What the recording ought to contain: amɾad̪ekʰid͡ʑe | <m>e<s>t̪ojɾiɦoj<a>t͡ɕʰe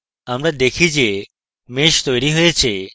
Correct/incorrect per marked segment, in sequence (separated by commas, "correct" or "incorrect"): correct, incorrect, incorrect